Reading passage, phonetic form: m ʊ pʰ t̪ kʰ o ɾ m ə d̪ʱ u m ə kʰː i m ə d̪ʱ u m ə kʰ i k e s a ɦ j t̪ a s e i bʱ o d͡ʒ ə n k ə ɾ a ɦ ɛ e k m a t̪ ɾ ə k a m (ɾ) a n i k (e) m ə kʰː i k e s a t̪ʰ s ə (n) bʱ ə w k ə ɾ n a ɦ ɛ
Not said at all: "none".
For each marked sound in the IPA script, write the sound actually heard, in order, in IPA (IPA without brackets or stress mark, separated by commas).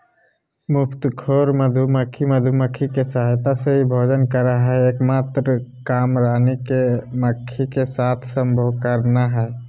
ɾ, e, m